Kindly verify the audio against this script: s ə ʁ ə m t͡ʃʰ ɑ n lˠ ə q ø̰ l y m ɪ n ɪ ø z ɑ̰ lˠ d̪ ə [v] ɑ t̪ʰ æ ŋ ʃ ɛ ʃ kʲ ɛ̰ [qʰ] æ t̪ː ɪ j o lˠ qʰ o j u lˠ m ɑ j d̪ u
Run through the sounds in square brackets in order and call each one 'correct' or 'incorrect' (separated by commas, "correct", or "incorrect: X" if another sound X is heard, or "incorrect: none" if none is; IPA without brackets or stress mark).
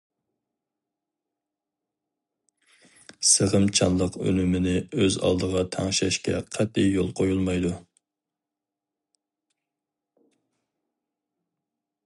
incorrect: ʁ, correct